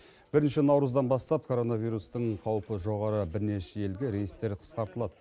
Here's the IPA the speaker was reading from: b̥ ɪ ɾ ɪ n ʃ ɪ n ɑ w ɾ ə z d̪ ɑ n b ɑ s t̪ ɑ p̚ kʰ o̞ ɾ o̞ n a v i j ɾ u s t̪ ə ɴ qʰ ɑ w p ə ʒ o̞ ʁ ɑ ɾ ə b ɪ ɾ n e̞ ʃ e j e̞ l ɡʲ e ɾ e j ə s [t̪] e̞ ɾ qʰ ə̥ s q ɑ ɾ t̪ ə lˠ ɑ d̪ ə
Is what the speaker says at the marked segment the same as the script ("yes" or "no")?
yes